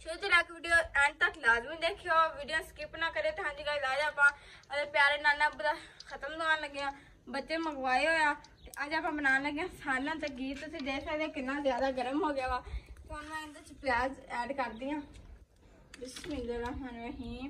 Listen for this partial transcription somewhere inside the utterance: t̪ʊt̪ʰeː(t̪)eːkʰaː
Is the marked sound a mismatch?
yes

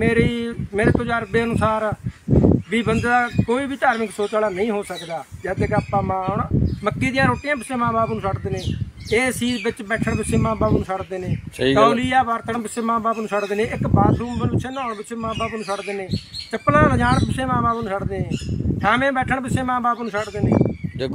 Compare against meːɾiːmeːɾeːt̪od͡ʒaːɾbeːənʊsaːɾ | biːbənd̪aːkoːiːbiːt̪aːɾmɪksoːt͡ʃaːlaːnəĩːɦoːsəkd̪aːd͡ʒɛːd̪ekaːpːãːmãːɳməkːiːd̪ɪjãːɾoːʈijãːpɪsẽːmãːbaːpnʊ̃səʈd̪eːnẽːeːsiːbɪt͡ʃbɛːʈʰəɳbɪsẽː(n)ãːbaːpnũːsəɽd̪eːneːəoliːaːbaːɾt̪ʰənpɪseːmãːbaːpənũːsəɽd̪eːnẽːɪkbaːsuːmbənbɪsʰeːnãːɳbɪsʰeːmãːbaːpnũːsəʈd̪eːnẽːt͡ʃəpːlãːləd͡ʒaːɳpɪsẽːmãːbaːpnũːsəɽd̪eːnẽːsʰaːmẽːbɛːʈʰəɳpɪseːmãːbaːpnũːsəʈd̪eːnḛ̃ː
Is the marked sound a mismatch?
yes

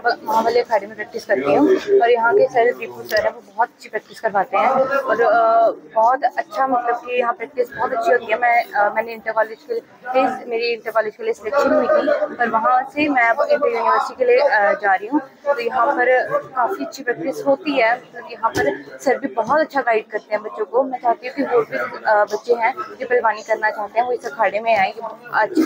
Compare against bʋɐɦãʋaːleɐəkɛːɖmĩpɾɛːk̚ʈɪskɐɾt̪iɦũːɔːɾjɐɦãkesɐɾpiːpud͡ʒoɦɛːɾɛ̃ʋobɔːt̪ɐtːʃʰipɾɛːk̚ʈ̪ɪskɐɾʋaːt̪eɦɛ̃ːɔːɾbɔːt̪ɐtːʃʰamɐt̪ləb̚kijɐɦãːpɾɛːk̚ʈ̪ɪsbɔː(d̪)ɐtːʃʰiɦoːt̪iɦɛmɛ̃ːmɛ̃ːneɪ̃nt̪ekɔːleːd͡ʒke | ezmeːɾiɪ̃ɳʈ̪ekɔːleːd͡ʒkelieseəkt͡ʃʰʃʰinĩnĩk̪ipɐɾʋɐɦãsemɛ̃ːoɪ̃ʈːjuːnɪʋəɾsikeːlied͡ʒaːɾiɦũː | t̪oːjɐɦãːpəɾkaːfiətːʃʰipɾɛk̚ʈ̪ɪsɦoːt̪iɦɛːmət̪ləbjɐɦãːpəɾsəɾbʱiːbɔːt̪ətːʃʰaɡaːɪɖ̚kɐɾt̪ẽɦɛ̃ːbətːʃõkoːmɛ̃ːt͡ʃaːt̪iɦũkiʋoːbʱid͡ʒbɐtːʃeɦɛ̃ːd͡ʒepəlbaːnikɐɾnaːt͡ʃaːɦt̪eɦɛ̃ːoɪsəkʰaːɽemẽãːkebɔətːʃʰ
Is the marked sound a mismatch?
yes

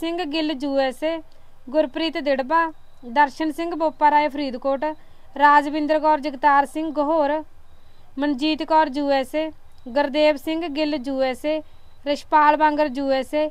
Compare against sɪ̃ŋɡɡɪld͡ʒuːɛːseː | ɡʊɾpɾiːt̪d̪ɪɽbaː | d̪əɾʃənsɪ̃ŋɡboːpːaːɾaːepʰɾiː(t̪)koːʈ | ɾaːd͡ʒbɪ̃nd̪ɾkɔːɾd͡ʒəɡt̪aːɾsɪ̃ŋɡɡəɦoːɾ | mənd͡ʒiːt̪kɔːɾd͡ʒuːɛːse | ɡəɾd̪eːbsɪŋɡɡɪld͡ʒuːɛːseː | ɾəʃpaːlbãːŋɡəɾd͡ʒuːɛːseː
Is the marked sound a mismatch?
yes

